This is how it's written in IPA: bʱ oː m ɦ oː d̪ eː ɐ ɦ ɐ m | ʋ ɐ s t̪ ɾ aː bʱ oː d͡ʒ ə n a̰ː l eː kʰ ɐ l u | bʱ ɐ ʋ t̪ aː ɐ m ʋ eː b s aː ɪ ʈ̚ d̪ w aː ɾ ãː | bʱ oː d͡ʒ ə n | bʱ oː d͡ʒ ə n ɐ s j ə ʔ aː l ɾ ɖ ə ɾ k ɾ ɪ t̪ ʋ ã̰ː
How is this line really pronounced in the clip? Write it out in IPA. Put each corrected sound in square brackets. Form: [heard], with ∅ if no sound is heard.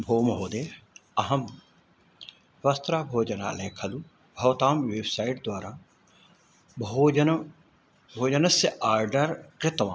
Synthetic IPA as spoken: bʱ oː m ɦ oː d̪ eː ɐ ɦ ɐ m | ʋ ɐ s t̪ ɾ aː bʱ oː d͡ʒ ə n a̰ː l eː kʰ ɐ l u | bʱ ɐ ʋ t̪ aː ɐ m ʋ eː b s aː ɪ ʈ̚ d̪ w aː ɾ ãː | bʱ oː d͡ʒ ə n | bʱ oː d͡ʒ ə n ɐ s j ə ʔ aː [∅] ɾ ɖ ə ɾ k ɾ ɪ t̪ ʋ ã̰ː